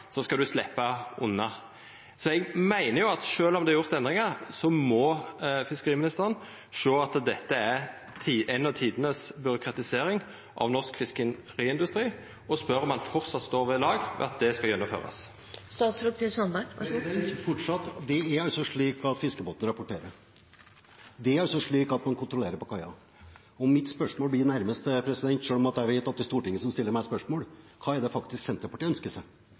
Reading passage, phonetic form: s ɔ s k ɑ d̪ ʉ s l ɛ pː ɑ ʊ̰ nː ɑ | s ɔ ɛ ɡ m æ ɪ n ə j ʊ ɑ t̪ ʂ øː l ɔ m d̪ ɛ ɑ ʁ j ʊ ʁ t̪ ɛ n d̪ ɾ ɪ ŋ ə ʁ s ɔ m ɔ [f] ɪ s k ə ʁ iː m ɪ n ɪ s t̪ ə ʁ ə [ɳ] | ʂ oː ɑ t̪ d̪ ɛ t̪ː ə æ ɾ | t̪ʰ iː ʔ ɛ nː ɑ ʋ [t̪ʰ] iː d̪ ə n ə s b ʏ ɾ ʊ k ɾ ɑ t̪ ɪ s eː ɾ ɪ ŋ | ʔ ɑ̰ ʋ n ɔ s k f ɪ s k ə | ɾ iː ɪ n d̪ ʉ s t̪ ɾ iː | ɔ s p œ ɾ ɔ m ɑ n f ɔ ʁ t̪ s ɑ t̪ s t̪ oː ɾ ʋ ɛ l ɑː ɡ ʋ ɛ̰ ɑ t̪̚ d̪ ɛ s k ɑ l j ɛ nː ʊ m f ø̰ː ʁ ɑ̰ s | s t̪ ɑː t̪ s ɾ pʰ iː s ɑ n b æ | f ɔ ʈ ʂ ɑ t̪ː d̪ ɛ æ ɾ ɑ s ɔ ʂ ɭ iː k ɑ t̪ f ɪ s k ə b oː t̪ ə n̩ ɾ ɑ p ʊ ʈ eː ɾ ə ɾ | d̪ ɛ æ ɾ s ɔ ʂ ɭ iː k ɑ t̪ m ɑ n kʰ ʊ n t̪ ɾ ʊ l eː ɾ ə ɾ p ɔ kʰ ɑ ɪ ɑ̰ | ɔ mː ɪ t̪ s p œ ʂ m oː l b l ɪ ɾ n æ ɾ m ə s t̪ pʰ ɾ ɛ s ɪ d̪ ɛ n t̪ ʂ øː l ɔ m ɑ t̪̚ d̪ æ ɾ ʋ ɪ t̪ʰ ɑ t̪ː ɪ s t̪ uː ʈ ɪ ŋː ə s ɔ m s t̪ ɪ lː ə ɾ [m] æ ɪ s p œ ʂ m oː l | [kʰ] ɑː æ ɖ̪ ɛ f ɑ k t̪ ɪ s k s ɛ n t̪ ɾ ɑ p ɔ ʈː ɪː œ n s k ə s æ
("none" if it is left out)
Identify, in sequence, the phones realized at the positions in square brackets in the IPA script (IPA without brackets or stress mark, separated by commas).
f, n, t̪ʰ, m, kʰ